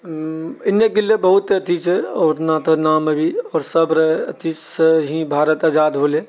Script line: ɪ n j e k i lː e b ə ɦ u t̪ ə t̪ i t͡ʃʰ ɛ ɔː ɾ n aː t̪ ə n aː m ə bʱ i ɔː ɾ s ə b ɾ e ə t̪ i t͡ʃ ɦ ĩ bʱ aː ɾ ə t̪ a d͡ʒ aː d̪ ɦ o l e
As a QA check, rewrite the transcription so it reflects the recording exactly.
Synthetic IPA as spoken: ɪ n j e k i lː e b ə ɦ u t̪ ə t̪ i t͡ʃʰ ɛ ɔː ɾ n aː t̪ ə n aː m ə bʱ i ɔː ɾ s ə b ɾ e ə t̪ i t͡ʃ ɦ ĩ bʱ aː ɾ ə t̪ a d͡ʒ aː d̪ ɦ o l e